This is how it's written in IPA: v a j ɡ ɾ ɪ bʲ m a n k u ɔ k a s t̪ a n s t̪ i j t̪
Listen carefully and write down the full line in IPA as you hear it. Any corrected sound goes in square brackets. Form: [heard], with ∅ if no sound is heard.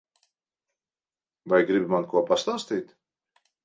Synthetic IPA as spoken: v a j ɡ ɾ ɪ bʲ m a n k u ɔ [p] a s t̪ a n s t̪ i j t̪